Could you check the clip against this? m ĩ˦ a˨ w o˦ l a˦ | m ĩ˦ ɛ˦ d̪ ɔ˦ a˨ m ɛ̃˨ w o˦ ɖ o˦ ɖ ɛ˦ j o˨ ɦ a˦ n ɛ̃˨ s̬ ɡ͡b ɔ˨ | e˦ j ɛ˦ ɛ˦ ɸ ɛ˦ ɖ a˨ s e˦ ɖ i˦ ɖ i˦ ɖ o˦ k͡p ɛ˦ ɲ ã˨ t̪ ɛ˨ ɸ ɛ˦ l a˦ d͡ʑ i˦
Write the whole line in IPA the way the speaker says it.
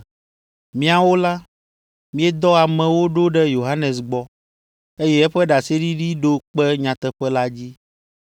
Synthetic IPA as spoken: m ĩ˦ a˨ w o˦ l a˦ | m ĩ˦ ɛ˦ d̪ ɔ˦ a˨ m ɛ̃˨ w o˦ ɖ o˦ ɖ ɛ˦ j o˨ ɦ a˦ n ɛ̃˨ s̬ ɡ͡b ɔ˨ | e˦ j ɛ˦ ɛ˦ ɸ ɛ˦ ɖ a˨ s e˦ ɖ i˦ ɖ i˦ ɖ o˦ k͡p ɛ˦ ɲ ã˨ t̪ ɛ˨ ɸ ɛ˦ l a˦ d͡ʑ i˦